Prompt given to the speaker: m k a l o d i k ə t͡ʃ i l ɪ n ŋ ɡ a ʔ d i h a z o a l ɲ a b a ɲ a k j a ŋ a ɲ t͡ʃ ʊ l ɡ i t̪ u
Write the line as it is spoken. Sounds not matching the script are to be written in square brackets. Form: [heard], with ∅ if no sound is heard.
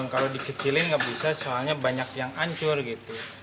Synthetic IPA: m k a l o d i k ə t͡ʃ i l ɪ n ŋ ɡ a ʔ [b] i [s] a [s] o a l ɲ a b a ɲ a k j a ŋ a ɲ t͡ʃ ʊ [r] ɡ i t̪ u